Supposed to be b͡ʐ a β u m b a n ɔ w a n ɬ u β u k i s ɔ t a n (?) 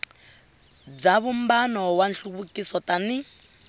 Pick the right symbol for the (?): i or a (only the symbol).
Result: i